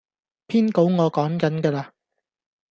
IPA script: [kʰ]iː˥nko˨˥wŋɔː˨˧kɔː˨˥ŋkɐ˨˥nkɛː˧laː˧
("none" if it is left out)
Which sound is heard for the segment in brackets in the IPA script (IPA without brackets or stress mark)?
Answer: pʰ